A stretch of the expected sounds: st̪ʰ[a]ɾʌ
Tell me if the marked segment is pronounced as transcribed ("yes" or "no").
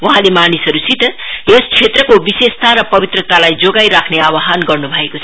yes